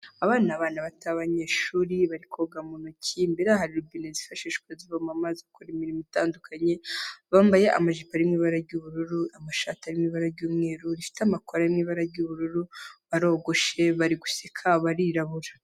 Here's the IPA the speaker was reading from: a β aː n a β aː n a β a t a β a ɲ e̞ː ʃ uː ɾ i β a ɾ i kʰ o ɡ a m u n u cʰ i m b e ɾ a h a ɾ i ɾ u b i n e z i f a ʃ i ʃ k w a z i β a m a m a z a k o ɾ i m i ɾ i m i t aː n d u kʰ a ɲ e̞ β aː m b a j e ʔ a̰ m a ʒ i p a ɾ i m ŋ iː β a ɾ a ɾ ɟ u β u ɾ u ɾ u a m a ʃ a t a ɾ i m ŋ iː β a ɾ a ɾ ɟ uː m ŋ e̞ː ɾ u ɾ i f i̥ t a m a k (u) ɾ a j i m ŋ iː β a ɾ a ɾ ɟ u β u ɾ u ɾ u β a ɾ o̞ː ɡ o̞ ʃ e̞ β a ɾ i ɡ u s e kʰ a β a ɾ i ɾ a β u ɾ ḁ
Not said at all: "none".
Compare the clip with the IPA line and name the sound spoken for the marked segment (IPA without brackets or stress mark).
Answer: o